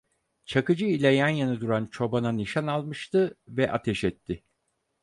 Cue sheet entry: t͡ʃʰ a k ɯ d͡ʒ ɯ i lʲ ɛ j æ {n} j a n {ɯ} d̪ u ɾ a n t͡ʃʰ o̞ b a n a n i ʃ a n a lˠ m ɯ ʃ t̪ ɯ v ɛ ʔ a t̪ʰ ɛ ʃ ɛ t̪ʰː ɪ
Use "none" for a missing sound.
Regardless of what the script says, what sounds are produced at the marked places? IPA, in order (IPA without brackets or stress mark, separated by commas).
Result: n, ɯ